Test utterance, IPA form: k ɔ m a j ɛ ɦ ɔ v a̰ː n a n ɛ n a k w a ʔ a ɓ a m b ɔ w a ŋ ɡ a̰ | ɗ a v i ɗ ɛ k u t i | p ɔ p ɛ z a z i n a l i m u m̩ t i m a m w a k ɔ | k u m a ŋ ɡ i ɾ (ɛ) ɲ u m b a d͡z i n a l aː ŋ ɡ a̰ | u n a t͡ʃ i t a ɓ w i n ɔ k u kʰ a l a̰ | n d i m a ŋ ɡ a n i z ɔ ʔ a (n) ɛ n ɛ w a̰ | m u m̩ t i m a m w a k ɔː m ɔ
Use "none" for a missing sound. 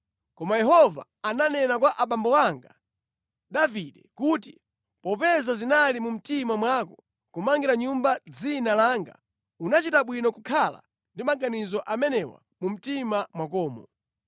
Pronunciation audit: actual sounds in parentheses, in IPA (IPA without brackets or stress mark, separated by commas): a, m